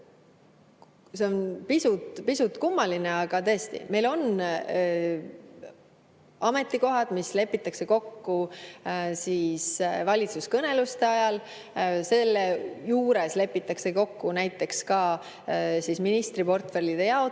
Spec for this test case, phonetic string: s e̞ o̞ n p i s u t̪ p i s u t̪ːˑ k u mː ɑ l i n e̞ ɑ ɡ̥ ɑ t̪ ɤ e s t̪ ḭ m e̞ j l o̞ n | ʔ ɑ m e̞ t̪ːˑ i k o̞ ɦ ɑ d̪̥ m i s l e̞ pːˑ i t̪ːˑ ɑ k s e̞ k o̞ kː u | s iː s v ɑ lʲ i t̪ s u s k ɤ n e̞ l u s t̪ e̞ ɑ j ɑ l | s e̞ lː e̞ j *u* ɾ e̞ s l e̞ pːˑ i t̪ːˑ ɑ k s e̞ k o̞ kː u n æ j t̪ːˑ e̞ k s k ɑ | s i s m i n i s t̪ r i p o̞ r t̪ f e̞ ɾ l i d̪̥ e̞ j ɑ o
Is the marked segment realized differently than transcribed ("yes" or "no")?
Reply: yes